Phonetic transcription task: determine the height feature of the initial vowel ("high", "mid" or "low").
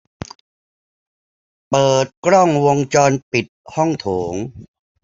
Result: mid